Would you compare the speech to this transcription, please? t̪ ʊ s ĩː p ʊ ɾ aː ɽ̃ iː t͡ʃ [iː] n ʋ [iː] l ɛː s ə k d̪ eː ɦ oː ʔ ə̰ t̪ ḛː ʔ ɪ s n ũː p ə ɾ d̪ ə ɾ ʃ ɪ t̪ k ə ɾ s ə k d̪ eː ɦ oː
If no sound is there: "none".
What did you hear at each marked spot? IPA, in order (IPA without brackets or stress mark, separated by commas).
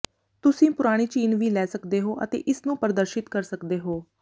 iː, iː